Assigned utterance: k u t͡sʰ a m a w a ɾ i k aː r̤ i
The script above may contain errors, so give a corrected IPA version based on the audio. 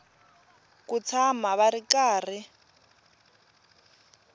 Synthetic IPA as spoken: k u t͡sʰ a m a β a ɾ i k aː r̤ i

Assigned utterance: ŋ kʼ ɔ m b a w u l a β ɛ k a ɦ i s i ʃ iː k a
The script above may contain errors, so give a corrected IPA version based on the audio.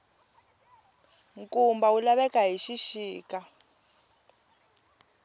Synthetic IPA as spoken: ŋ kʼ u m b a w u l a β ɛ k a ɦ i ʃ i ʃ iː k a

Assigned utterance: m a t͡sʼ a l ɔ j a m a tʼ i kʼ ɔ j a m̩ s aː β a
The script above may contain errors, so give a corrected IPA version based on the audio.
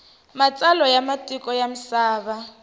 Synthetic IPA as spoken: m a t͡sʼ a l ɔ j a m a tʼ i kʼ ɔ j a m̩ s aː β a

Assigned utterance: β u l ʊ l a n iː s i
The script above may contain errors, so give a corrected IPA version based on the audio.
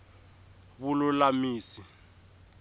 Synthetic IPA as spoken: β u l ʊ l a m iː s i

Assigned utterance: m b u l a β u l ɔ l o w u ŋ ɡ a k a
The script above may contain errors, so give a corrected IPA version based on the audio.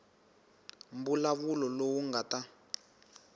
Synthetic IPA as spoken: m b u l a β u l ɔ l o w u ŋ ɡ a t a

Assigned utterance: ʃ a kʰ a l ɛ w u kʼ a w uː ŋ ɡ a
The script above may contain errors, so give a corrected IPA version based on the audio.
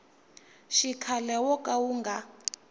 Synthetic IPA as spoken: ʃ i kʰ a l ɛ w ɔ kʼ a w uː ŋ ɡ a

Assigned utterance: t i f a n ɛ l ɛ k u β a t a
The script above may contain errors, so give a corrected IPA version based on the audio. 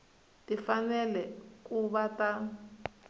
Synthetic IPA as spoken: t i f a n ɛ l ɛ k u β a t a

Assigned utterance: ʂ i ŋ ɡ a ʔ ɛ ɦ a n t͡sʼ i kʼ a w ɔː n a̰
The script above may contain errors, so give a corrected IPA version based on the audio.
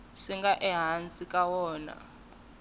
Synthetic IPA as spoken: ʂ i ŋ ɡ a ʔ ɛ ɦ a n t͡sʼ i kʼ a w ɔː n a̰

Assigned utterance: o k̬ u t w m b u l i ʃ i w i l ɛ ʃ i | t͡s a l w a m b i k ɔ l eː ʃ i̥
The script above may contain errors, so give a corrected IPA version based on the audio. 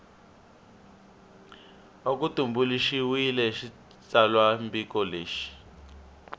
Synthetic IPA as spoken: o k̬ u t u m b u l i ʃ i w i l ɛ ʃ i | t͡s a l w a m b i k ɔ l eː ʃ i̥

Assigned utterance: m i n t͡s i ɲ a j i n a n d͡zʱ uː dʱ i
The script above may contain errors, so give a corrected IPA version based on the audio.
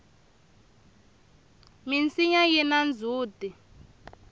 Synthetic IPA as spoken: m i n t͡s i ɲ a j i n a n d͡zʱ uː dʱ i

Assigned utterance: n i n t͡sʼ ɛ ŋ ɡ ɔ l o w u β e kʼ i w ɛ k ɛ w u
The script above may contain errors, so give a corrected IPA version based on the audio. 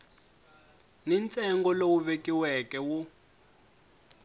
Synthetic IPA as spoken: n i n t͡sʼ ɛ ŋ ɡ ɔ l o w u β e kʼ i w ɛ k ɛ w u

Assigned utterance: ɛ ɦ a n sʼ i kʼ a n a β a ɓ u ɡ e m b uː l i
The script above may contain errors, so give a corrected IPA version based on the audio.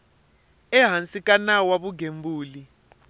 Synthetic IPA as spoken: ɛ ɦ a n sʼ i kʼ a n a w a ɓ u ɡ e m b uː l i

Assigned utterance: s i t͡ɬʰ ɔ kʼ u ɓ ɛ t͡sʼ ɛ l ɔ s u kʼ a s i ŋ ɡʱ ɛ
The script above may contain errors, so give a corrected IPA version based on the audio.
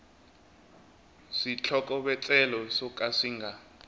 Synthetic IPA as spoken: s i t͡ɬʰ ɔ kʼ ɔ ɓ ɛ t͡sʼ ɛ l ɔ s ɔ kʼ a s i ŋ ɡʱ a

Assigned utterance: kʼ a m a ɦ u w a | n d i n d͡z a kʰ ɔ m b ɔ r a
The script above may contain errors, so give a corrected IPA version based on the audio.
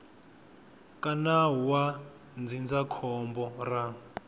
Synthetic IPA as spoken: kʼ a n a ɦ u w a | n d͡z i n d͡z a kʰ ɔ m b ɔ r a

